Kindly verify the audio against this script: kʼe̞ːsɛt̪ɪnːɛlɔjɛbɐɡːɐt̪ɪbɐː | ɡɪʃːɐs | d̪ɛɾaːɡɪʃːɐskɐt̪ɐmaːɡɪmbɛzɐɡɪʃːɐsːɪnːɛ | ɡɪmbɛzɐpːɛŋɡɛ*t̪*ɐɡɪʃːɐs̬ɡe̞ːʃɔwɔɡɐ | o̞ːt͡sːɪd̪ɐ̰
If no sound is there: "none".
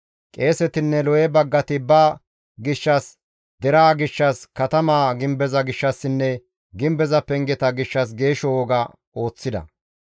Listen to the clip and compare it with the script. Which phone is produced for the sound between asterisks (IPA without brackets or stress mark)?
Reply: t̪